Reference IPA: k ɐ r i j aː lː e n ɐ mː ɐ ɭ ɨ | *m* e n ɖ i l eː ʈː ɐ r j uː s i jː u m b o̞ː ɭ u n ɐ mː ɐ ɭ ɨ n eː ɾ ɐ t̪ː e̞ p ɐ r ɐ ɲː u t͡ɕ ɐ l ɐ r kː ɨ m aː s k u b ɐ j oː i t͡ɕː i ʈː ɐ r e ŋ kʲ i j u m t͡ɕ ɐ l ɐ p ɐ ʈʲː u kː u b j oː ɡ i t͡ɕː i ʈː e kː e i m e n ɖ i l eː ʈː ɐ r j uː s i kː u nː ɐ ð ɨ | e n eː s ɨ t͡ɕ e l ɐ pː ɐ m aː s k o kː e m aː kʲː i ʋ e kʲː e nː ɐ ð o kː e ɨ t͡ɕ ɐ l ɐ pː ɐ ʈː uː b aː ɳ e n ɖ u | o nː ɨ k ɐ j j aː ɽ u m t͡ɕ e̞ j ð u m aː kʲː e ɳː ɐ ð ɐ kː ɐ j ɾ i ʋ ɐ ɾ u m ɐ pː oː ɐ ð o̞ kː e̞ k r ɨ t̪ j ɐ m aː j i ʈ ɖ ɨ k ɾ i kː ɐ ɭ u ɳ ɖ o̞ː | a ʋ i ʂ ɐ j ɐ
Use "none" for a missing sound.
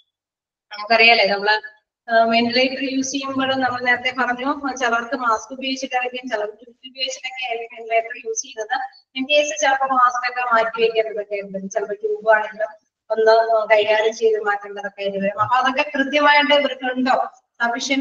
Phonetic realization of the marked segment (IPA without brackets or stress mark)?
m